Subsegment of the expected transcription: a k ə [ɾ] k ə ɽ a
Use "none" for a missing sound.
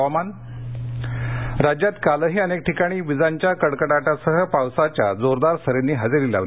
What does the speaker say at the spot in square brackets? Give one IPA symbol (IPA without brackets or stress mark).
ɽ